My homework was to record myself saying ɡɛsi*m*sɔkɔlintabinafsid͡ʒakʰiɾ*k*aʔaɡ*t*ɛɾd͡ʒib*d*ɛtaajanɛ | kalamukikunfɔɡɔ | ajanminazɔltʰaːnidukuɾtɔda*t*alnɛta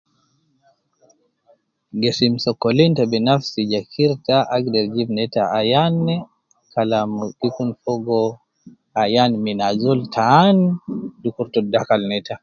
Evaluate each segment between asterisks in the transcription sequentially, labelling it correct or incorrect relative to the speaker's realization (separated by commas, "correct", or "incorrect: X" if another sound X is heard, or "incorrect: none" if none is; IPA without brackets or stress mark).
correct, incorrect: t, incorrect: d, incorrect: n, incorrect: k